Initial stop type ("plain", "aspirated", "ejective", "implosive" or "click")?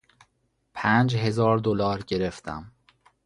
aspirated